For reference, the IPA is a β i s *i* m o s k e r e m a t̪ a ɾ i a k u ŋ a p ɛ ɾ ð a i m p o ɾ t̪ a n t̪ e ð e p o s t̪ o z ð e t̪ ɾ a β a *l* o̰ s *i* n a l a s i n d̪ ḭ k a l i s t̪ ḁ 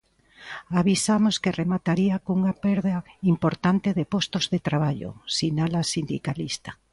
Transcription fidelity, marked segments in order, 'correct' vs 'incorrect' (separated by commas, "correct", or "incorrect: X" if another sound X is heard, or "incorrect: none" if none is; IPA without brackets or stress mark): incorrect: a, incorrect: ʎ, correct